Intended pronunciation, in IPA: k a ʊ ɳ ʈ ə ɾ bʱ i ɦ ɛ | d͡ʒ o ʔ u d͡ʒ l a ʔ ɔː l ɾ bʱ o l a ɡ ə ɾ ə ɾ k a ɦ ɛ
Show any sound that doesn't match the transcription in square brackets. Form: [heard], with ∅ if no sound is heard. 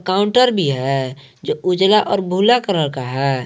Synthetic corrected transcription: k a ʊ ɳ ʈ ə ɾ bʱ i ɦ ɛ | d͡ʒ o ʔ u d͡ʒ l a ʔ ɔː [∅] ɾ bʱ [u] l a [k] ə ɾ ə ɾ k a ɦ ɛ